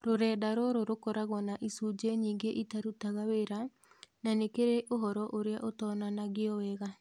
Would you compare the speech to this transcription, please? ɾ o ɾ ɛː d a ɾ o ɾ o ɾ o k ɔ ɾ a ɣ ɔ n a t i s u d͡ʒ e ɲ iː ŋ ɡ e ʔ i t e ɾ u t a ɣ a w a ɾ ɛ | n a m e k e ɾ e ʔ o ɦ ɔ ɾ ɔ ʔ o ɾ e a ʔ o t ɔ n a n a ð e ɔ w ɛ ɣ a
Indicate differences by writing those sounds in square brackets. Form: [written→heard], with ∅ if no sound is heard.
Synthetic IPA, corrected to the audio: ɾ o ɾ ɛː d a ɾ o ɾ o ɾ o k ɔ ɾ a ɣ ɔ n a [t→ʔ] i s u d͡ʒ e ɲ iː ŋ ɡ e ʔ i t [e→a] ɾ u t a ɣ a w [a→e] ɾ [ɛ→a] | n a [m→n] e k e ɾ e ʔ o ɦ ɔ ɾ ɔ ʔ o ɾ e a ʔ o t ɔ n a n a [ð→ɣ] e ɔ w ɛ ɣ a